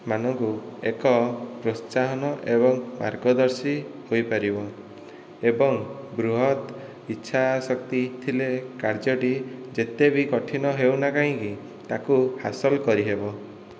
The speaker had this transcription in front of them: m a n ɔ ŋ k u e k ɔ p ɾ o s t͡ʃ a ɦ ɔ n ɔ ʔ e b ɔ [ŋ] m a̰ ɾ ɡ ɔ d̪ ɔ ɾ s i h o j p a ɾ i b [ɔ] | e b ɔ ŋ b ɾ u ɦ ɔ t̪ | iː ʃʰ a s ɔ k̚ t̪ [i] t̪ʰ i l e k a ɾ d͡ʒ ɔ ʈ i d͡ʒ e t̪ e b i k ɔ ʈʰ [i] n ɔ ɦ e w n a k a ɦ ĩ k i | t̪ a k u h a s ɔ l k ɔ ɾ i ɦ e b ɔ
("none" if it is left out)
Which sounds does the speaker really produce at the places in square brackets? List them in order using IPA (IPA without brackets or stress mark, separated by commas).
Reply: ŋ, ɔ, i, i